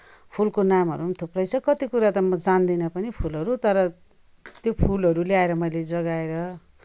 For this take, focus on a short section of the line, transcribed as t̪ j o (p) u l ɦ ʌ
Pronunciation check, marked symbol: incorrect: pʰ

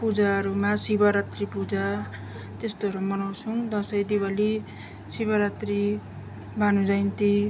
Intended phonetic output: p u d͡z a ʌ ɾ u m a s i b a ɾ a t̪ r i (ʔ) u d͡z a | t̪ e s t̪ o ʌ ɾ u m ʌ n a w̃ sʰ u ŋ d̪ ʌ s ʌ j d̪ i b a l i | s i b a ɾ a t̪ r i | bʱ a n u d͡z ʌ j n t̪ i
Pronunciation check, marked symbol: incorrect: p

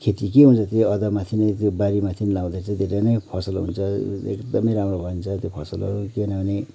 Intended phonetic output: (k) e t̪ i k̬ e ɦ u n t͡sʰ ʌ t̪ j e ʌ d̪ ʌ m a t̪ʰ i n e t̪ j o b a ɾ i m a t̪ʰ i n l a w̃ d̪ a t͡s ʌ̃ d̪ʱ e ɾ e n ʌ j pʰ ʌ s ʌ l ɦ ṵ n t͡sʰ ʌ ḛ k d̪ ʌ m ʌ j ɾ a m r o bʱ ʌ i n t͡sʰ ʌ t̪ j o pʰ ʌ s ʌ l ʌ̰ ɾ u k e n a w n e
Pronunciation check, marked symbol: incorrect: kʰ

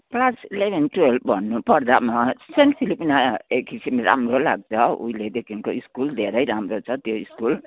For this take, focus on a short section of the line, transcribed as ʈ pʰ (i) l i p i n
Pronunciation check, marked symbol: correct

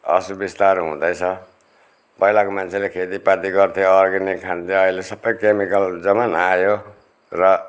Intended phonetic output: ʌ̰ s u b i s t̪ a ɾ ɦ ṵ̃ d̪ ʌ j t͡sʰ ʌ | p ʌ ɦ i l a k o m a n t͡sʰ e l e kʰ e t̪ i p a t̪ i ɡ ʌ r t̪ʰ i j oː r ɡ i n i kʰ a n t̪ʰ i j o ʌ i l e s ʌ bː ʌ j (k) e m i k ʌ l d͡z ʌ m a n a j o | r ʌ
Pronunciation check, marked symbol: correct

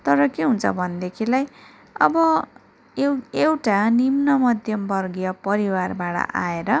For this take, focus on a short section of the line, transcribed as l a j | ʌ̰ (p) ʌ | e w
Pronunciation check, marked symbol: incorrect: b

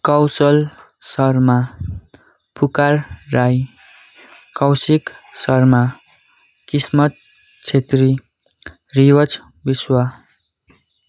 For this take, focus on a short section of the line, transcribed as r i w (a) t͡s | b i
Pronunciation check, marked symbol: incorrect: ʌ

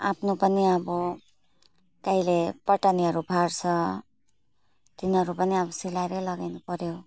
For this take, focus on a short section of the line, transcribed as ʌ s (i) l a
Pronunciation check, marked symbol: correct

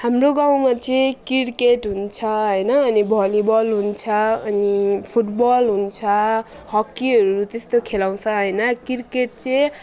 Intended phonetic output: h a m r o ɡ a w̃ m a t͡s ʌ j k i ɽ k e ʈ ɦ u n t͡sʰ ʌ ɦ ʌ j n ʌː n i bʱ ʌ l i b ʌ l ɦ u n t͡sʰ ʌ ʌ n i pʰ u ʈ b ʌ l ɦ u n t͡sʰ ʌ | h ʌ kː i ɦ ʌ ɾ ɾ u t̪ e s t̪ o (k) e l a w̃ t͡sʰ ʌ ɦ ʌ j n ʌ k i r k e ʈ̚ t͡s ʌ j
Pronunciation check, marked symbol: incorrect: kʰ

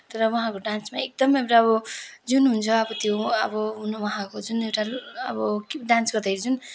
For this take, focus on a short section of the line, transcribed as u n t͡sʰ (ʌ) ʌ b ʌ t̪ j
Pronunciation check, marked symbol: correct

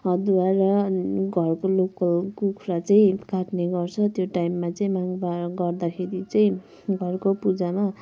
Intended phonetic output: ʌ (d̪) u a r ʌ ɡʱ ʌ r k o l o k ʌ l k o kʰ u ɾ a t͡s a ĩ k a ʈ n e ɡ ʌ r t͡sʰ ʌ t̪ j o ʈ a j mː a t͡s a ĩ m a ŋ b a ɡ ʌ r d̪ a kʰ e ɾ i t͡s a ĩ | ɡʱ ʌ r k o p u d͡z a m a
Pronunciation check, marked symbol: correct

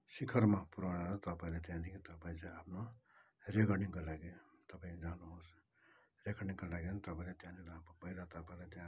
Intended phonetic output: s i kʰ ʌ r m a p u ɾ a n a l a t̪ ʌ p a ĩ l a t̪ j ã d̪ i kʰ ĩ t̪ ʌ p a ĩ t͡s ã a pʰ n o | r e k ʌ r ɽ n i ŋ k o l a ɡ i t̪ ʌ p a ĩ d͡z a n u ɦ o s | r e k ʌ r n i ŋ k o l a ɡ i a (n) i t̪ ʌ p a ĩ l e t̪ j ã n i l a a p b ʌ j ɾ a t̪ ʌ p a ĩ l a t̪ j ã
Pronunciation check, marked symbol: correct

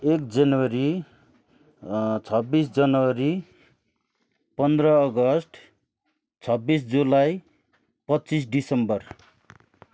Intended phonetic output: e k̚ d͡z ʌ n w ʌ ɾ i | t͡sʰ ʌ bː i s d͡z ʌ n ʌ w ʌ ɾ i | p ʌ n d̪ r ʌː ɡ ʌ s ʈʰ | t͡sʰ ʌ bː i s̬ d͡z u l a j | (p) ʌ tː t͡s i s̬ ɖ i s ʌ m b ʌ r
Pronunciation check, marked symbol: correct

